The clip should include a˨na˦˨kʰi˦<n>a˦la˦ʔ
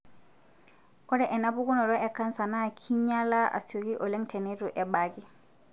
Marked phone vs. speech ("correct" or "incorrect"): incorrect